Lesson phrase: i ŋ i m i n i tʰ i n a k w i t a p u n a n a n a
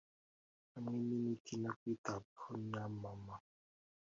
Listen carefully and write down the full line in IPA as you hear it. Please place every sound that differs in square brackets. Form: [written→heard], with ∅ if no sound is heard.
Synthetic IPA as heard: [i→a] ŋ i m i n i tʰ i n a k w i t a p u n a [n→m] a [n→m] a